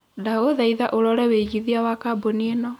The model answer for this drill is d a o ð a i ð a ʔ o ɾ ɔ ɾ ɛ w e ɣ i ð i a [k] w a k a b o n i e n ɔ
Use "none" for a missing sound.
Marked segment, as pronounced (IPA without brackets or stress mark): none